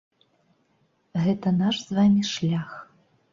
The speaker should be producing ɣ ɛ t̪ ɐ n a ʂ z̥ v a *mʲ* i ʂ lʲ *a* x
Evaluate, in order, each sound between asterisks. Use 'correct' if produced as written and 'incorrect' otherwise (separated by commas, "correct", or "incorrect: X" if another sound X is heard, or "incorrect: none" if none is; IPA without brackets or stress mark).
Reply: correct, correct